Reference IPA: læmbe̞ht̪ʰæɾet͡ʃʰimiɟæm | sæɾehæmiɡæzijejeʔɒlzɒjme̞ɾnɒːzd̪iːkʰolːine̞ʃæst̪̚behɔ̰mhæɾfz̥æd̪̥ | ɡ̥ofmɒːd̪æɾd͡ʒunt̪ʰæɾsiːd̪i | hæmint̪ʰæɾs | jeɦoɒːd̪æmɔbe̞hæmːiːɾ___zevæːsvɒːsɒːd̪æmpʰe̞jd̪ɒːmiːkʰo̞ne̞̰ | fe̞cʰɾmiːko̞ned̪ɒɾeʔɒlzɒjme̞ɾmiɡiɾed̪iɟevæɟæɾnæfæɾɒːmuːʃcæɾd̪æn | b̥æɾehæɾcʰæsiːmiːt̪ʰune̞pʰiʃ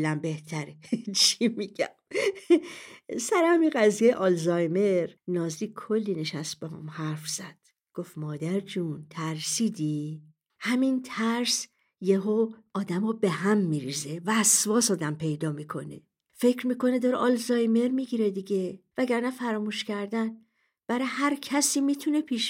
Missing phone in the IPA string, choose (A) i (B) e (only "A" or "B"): A